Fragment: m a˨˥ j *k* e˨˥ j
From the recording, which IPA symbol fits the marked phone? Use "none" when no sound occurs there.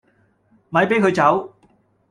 p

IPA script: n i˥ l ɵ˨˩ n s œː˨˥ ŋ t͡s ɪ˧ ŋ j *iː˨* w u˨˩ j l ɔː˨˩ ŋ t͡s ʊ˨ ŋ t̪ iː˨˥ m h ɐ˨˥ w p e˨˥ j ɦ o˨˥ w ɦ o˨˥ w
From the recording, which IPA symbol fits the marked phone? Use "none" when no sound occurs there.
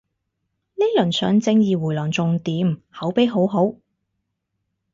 iː˨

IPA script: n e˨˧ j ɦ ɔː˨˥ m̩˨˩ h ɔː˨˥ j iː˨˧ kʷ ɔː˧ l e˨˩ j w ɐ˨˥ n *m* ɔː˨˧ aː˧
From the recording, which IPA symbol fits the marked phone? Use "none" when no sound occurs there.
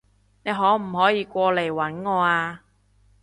ŋ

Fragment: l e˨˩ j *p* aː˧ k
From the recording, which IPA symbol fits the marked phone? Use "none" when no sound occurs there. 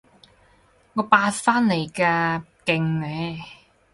k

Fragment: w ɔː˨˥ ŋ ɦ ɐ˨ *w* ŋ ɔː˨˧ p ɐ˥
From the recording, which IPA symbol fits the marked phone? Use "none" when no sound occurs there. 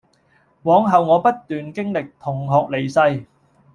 w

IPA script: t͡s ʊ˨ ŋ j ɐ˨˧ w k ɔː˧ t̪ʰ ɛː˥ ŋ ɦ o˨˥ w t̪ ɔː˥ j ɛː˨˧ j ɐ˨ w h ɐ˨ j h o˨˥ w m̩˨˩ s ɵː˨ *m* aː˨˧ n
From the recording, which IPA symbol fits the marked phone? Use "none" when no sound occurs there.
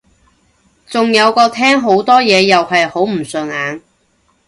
ŋ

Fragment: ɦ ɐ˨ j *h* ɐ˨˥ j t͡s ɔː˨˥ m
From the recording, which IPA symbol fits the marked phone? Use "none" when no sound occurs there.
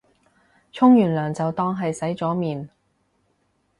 s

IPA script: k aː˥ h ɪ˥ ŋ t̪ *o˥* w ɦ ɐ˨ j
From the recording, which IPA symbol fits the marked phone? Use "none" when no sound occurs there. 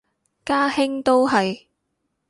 o˥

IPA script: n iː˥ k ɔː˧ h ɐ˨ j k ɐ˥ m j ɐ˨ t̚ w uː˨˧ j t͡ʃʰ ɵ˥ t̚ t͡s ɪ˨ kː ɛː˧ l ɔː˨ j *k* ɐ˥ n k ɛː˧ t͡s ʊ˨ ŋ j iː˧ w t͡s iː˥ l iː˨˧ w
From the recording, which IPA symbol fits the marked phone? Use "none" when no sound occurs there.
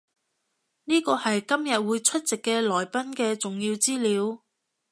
p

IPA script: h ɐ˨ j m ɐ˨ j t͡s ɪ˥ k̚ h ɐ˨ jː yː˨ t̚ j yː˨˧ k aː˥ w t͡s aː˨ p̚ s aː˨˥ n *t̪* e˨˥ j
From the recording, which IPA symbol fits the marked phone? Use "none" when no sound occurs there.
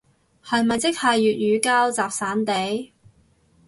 t̪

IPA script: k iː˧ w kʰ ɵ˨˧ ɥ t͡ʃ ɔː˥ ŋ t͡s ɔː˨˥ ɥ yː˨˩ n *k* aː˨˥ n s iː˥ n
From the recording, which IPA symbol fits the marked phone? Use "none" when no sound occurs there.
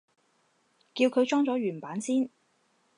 p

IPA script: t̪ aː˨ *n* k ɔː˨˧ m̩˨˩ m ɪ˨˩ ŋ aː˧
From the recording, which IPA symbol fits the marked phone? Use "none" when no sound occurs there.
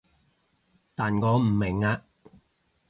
n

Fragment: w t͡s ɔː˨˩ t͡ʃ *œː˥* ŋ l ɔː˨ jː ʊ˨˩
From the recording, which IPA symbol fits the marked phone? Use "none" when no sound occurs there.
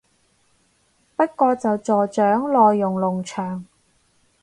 œː˨˥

